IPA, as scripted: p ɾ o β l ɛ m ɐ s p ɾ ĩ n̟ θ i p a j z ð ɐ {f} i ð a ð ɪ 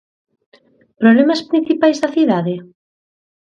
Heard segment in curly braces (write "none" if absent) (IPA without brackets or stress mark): θ